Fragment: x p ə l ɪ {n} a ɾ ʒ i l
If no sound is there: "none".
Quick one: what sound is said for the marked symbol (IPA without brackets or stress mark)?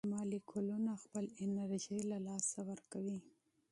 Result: n